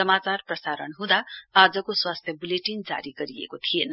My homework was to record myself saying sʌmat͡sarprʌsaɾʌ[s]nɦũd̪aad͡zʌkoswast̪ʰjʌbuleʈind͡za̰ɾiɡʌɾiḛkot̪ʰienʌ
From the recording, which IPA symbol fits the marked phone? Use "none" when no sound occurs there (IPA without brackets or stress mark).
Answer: none